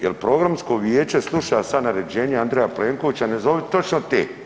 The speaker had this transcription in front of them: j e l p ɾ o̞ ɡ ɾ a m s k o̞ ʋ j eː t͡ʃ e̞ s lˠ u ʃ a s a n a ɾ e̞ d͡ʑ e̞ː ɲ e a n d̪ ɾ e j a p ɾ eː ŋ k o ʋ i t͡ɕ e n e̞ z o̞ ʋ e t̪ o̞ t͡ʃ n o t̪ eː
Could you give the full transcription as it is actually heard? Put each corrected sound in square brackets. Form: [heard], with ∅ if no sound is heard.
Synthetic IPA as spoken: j e l p ɾ o̞ ɡ ɾ a m s k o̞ ʋ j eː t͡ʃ e̞ s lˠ u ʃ a s a n a ɾ e̞ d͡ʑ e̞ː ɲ e a n d̪ ɾ e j a p [l] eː ŋ k o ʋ i t͡ɕ [a] n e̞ z o̞ ʋ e t̪ o̞ t͡ʃ n o t̪ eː